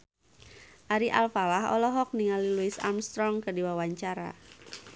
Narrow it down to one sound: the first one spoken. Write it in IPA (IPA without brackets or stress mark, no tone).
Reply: ʔ